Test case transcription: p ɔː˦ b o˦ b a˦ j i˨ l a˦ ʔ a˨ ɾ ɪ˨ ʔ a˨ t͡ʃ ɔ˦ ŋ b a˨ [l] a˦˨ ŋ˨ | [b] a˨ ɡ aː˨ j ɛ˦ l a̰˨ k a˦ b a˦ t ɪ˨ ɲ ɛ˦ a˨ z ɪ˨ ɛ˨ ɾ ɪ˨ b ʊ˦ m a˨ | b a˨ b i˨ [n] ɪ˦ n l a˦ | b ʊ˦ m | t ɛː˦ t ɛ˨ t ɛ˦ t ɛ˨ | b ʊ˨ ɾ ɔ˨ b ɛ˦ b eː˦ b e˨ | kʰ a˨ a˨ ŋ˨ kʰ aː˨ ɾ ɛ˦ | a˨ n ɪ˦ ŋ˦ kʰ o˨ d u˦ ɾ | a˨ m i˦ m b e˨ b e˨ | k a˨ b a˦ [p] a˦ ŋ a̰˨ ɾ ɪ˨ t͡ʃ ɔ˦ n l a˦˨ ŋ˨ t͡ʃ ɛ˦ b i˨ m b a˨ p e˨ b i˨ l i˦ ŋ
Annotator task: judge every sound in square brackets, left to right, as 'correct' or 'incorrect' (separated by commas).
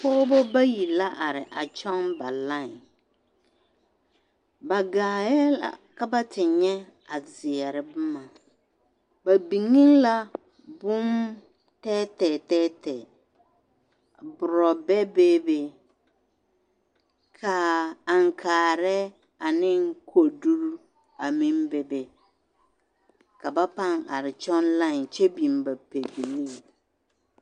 correct, correct, incorrect, correct